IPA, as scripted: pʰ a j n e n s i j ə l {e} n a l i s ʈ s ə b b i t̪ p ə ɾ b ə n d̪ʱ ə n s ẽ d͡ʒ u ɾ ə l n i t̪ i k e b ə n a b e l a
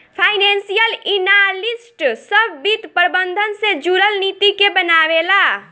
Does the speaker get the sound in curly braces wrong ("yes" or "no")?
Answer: yes